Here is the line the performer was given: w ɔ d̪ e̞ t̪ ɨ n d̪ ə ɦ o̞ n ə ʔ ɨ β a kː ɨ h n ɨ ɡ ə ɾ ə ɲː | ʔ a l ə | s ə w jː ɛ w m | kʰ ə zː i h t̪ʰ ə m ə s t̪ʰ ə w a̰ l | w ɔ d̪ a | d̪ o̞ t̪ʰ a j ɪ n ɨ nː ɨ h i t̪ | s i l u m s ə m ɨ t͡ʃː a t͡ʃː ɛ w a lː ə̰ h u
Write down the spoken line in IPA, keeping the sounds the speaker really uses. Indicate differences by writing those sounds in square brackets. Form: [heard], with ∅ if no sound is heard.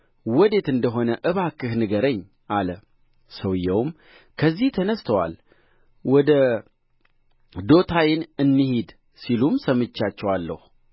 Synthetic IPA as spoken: w ɔ d̪ e̞ t̪ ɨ n d̪ ə ɦ o̞ n ə ʔ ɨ β a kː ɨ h n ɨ ɡ ə ɾ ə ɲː | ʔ a l ə | s ə w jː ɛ w m | kʰ ə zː i h t̪ʰ ə [n] ə s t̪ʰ ə w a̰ l | w ɔ d̪ [ə] | d̪ o̞ t̪ʰ a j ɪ n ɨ nː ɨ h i [d̪] | s i l u m s ə m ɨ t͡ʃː a t͡ʃː ɛ w a lː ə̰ h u